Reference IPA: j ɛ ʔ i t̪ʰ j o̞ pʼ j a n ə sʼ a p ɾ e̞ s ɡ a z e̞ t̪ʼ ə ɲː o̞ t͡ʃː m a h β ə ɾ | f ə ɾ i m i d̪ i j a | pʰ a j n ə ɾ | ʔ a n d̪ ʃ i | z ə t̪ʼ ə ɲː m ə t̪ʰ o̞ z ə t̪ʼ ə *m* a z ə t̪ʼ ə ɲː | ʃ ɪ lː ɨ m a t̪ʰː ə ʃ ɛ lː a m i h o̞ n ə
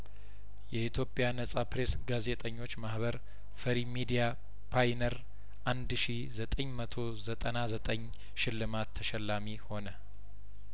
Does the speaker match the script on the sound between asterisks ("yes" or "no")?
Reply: no